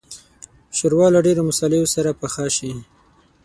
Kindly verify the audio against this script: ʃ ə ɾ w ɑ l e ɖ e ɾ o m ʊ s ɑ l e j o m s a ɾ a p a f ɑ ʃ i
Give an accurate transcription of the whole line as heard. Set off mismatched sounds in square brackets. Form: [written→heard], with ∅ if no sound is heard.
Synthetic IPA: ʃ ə ɾ w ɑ l [e→a] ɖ e ɾ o m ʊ s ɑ l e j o [m→∅] s a ɾ a p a [f→x] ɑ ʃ i